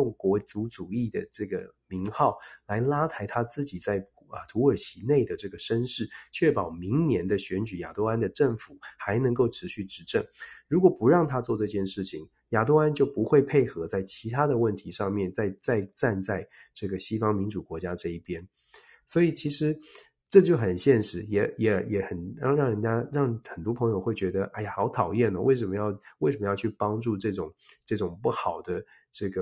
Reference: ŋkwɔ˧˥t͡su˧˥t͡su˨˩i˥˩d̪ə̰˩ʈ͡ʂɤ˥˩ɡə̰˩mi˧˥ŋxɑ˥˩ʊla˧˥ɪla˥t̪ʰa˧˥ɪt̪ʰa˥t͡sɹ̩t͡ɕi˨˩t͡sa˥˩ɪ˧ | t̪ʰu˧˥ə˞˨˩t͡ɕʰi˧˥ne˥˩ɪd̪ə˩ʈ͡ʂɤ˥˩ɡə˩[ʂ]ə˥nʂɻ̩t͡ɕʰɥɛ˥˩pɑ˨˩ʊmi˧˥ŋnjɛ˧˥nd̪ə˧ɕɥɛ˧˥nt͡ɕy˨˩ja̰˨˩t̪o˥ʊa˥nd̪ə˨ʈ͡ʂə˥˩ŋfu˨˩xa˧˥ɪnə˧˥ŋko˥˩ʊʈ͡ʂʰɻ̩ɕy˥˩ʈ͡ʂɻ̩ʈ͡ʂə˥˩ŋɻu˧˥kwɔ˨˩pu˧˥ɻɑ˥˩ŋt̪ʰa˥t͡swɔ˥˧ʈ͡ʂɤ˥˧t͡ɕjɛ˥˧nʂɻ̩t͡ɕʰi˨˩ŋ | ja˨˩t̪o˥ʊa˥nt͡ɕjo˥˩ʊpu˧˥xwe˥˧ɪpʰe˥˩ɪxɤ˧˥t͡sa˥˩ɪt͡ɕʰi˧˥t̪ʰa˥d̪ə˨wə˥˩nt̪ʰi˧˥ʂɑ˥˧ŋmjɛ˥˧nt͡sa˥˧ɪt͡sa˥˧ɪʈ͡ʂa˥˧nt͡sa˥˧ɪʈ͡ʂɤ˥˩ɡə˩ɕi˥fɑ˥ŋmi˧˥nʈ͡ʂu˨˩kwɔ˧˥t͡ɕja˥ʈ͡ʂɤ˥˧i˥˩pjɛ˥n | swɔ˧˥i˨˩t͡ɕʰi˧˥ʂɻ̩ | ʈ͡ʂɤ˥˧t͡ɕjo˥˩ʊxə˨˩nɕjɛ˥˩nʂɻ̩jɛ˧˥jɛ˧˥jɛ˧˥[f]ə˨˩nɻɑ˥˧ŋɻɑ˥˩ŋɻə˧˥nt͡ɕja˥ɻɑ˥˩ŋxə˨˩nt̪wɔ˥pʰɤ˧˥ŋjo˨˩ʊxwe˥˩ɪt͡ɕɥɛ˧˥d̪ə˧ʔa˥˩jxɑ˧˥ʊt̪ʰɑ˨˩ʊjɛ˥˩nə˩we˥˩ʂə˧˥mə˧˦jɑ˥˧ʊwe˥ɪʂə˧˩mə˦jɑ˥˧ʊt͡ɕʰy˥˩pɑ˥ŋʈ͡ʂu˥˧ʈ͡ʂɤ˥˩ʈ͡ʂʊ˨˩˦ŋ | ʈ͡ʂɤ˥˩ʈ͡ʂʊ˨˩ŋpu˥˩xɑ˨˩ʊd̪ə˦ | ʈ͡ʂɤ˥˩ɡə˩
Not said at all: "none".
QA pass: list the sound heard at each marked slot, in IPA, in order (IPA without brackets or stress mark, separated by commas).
ʂ, x